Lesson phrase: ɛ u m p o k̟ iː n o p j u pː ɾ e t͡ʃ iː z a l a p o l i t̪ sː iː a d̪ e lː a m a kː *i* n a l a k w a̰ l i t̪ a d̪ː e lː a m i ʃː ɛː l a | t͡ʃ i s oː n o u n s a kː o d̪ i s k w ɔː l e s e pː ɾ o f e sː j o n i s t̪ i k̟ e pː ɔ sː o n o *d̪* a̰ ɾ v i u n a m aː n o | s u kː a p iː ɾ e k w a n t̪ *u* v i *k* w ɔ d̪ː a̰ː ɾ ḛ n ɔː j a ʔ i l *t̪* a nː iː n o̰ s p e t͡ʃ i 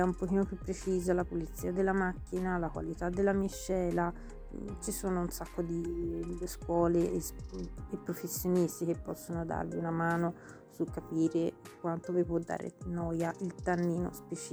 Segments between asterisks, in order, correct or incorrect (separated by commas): correct, correct, incorrect, incorrect, correct